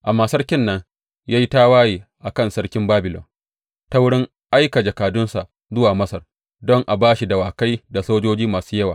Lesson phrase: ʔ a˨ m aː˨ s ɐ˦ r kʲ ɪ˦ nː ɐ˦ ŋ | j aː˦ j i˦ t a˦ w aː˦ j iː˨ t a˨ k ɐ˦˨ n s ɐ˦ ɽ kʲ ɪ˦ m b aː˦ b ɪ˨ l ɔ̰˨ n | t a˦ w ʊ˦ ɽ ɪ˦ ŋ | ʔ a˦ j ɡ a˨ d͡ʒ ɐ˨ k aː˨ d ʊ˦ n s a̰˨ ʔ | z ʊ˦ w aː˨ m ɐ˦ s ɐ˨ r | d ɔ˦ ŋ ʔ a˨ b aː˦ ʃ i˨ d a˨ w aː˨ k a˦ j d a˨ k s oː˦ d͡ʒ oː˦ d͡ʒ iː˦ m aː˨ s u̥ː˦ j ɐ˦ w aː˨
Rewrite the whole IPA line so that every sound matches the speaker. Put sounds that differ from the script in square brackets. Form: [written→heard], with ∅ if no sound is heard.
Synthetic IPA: ʔ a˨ m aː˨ s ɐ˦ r kʲ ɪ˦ nː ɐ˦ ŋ | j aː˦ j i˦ t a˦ w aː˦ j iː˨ [t→ʔ] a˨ k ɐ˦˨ n s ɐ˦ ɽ kʲ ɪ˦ m b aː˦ b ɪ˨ l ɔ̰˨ n | t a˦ w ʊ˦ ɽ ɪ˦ ŋ | ʔ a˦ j [ɡ→k] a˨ d͡ʒ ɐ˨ k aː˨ d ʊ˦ n s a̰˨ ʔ | z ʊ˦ w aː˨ m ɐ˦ s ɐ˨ r | d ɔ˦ ŋ ʔ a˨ b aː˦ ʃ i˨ d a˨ w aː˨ k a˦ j d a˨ [k→∅] s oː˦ d͡ʒ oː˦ d͡ʒ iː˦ m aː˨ s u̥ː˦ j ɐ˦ w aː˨